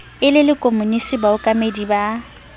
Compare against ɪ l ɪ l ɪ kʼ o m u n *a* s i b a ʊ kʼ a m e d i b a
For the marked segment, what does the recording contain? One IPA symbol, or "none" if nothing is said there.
i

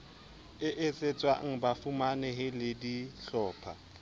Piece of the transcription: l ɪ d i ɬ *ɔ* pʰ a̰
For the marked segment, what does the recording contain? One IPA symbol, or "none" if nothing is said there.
ɔː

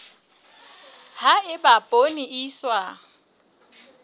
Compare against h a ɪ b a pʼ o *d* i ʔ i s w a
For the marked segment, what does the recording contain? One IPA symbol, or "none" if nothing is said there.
n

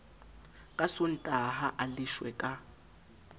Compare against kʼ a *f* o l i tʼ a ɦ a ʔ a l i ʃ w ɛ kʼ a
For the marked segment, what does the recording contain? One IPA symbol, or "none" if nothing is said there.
s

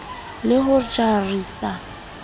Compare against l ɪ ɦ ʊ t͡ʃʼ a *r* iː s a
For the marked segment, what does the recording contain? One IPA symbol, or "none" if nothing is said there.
r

